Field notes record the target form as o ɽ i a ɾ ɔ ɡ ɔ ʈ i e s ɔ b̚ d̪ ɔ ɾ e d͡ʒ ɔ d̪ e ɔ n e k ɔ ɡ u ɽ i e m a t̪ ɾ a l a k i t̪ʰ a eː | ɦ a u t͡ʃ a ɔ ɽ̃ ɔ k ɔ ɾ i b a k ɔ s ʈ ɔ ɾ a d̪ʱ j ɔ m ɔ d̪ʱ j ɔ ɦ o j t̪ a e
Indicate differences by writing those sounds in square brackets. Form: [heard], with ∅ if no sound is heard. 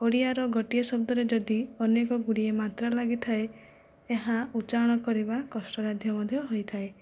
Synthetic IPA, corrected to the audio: o ɽ i a ɾ ɔ ɡ ɔ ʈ i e s ɔ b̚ d̪ ɔ ɾ e d͡ʒ ɔ d̪ [i] ɔ n e k ɔ ɡ u ɽ i e m a t̪ ɾ a l a [ɡ] i t̪ʰ a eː | ɦ a u t͡ʃ a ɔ ɽ̃ ɔ k ɔ ɾ i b a k ɔ s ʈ ɔ ɾ a d̪ʱ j ɔ m ɔ d̪ʱ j ɔ ɦ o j [t̪ʰ] a e